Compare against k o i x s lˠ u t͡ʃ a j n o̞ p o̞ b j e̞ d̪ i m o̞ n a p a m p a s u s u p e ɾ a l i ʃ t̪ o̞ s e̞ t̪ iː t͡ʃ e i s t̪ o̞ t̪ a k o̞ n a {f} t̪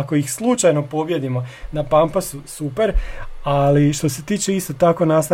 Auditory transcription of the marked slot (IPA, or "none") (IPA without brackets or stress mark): s